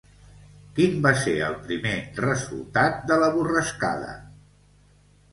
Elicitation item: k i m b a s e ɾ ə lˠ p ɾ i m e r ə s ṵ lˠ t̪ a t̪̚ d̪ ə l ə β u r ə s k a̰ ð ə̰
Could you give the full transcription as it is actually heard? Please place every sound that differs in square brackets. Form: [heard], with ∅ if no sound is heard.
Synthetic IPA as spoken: k i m b a s e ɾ ə lˠ p ɾ i m e r ə [z] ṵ lˠ t̪ a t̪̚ d̪ ə l ə β u r ə s k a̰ ð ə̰